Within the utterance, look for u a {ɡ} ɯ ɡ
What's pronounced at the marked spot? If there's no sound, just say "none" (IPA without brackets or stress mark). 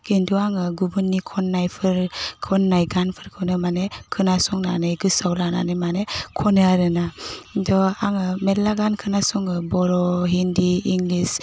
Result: ŋ